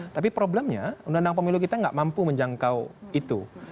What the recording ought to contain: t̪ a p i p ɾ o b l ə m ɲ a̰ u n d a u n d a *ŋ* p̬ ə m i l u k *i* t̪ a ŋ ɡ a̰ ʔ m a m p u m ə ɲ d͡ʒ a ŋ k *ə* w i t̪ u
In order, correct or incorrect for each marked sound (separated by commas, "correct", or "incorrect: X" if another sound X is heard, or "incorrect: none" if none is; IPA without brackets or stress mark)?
correct, correct, incorrect: a